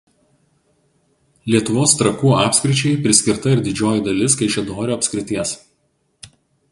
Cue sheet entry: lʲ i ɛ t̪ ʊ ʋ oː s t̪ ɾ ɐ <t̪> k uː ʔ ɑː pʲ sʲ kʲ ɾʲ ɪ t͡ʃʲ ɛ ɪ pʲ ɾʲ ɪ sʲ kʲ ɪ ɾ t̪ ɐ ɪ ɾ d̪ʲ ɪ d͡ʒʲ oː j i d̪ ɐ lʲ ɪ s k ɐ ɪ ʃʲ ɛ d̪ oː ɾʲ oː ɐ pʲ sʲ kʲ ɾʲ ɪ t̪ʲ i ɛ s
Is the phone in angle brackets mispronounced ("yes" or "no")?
yes